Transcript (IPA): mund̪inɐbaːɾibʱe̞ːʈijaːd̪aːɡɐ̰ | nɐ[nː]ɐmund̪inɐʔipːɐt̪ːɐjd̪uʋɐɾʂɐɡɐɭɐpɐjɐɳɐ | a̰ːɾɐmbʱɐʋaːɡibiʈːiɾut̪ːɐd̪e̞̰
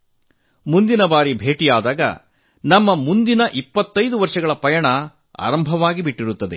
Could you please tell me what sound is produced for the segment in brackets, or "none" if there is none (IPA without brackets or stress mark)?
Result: mː